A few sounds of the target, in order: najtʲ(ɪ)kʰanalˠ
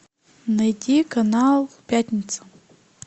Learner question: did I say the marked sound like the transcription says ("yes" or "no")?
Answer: no